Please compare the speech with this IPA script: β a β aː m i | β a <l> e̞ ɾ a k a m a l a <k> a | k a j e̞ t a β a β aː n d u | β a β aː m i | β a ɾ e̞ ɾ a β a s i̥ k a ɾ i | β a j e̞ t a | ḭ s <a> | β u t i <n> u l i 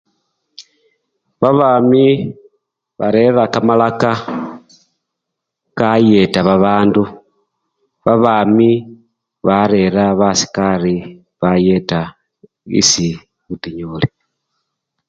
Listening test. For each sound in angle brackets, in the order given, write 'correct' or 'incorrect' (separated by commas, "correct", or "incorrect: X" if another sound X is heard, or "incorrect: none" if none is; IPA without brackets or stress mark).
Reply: incorrect: ɾ, correct, incorrect: i, incorrect: ɲ